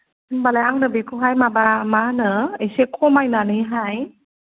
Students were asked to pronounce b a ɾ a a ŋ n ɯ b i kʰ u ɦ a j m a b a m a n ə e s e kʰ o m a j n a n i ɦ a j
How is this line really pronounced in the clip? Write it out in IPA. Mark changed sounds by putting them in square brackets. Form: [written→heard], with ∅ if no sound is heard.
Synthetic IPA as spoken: b a [ɾ→l] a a ŋ n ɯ b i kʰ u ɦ a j m a b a m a n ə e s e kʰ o m a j n a n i ɦ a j